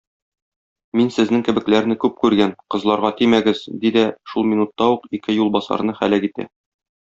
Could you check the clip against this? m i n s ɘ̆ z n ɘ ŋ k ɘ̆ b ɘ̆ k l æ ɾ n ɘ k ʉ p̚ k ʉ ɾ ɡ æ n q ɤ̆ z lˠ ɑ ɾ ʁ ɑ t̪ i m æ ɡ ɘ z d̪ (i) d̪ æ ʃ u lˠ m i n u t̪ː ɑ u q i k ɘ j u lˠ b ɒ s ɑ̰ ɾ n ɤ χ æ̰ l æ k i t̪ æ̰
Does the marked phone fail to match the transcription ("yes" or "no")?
no